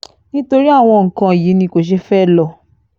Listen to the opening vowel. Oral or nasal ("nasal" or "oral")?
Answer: nasal